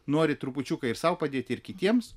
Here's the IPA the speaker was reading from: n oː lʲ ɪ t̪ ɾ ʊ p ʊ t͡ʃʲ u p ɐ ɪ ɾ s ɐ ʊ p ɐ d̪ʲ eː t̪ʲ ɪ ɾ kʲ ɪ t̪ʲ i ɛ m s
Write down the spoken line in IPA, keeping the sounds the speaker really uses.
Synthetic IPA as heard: n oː ɾʲ ɪ t̪ ɾ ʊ p ʊ t͡ʃʲ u k ɐ ɪ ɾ s ɐ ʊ p ɐ d̪ʲ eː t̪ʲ ɪ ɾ kʲ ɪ t̪ʲ i ɛ m s